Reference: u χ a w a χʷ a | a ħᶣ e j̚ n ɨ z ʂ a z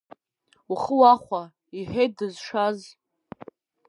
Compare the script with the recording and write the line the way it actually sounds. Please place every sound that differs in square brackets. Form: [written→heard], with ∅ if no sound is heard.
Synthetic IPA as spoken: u χ [a→ə] w a χʷ a | [a→i] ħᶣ e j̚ [n→d] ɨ z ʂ a z